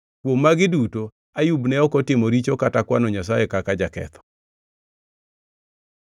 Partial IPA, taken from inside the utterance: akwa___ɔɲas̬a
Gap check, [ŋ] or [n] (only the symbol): n